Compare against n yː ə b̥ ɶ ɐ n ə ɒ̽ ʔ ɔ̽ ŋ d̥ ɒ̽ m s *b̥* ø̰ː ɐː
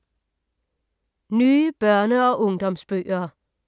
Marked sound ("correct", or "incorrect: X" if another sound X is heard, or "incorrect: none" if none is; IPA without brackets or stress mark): correct